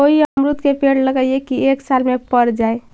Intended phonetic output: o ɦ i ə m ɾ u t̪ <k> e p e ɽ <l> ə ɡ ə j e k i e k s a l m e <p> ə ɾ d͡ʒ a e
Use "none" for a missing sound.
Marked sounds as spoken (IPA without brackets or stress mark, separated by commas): k, l, p